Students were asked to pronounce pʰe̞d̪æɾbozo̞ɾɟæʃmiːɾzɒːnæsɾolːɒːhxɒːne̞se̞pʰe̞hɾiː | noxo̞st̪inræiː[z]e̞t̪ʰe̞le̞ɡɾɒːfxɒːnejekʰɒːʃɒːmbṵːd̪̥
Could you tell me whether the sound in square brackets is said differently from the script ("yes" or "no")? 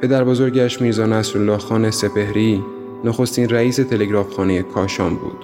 yes